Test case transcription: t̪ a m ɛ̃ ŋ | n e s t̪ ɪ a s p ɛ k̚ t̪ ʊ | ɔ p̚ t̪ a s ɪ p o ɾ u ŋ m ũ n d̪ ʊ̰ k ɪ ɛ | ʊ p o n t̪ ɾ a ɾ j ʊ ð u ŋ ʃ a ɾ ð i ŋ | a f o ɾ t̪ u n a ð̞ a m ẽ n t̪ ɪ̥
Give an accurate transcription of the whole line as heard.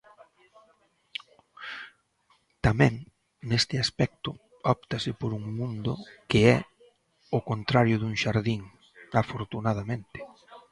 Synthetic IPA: t̪ a m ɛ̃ ŋ | n e s t̪ ɪ a s p ɛ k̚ t̪ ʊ | ɔ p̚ t̪ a s ɪ p o ɾ u ŋ m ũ n d̪ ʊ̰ k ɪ ɛ | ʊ k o n t̪ ɾ a ɾ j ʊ ð u ŋ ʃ a ɾ ð i ŋ | a f o ɾ t̪ u n a ð̞ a m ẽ n t̪ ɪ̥